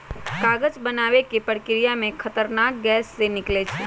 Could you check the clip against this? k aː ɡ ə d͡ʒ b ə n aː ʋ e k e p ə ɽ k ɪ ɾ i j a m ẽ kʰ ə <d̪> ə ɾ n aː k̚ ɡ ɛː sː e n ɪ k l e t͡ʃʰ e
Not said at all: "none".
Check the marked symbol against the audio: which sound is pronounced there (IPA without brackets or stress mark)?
t̪